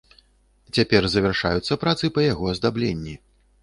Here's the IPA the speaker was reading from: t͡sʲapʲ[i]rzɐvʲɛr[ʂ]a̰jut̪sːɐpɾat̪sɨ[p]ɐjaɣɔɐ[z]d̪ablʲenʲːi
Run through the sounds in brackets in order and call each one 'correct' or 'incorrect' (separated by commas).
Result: incorrect, correct, correct, correct